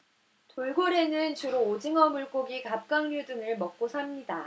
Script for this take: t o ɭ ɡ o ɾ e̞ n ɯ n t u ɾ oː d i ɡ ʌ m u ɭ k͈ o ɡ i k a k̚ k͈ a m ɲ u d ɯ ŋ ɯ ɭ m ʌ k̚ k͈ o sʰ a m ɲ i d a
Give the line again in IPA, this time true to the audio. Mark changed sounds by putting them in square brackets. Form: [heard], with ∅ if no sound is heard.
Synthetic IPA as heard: t o ɭ ɡ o ɾ e̞ n ɯ n [t͡ɕ] u ɾ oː [d͡ʑ] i [ŋ] ʌ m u ɭ k͈ o ɡ i k a [p̚] k͈ a [ŋ] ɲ u d ɯ ŋ ɯ ɭ m ʌ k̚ k͈ o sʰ a m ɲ i d a